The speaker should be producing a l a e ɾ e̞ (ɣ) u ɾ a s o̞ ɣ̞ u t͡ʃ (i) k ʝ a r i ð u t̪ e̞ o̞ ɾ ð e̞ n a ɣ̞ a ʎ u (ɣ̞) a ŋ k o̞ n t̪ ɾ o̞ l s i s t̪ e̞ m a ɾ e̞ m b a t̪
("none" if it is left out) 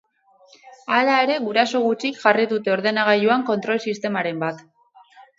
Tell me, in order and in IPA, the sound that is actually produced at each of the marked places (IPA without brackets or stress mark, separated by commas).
ɣ, i, none